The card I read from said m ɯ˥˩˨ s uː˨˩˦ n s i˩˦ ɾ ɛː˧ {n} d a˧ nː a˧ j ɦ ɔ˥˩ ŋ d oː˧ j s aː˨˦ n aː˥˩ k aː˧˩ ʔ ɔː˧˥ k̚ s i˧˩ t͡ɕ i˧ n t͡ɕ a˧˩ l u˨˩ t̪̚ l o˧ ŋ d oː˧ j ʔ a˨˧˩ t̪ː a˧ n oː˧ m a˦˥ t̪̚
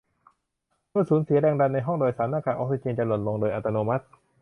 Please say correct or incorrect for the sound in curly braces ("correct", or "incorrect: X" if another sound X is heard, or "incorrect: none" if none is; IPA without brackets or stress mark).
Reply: incorrect: ŋ